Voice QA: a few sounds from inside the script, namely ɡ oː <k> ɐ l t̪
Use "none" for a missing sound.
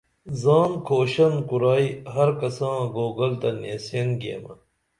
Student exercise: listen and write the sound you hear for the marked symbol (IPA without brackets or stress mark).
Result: ɡ